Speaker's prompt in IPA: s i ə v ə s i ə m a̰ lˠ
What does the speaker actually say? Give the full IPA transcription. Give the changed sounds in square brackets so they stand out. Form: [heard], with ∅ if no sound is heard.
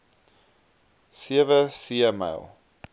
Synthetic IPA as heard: s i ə v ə s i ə m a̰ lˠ